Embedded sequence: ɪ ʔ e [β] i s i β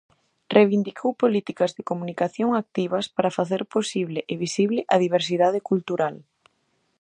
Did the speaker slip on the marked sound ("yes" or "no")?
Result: no